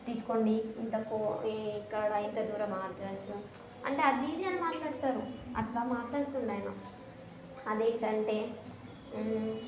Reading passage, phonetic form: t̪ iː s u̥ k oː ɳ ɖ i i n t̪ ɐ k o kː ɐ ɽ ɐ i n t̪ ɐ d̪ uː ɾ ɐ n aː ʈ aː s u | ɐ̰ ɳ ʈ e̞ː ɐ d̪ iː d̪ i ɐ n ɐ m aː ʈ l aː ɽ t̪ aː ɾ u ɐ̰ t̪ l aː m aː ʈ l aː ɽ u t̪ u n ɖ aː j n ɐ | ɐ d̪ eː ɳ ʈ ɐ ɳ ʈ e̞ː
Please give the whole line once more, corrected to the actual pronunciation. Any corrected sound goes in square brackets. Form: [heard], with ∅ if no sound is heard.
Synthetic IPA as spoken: t̪ iː s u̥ k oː ɳ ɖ i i n t̪ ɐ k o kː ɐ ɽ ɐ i n t̪ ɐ d̪ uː ɾ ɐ [m] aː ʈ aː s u | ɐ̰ ɳ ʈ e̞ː ɐ d̪ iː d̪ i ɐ n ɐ m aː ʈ l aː ɽ t̪ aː ɾ u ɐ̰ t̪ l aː m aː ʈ l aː ɽ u t̪ u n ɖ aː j n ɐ | ɐ d̪ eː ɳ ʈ ɐ ɳ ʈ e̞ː